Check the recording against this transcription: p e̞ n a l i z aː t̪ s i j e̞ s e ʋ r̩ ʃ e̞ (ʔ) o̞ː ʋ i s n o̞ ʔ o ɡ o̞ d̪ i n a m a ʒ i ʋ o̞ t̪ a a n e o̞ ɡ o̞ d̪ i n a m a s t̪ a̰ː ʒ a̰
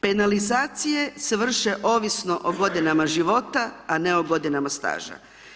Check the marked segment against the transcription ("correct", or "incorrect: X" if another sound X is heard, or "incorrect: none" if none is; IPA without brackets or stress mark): correct